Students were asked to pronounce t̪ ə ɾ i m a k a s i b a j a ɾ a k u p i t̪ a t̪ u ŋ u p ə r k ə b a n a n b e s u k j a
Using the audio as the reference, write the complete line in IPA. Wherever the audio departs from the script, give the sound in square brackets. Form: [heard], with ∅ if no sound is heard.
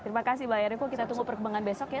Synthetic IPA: t̪ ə ɾ i m a k a s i b a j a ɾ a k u [k] i t̪ a t̪ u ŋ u p ə r k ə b a [ŋ] a n b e s [ɔ] k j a